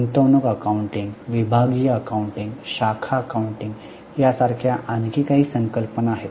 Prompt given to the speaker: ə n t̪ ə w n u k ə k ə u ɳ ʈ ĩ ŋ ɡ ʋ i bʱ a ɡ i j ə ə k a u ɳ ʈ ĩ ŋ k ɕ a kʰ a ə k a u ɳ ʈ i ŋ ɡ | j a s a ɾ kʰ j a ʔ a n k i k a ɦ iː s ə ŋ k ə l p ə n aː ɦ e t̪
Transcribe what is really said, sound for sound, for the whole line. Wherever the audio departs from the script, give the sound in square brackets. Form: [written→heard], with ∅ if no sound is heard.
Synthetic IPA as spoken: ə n t̪ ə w n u k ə k [ə→a] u ɳ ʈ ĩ ŋ ɡ ʋ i bʱ a ɡ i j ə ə k a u ɳ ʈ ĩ ŋ [k→ɡ] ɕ a kʰ a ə k a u ɳ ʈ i ŋ ɡ | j a s a ɾ kʰ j a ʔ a n k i k a ɦ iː s ə ŋ k ə l p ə n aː ɦ e t̪